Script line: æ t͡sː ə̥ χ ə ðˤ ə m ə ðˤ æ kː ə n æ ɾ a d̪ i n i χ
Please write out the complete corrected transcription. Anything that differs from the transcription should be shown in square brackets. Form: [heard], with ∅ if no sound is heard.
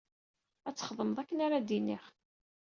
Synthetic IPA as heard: æ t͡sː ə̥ χ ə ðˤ ə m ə ðˤ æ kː ə n [a] ɾ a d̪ i n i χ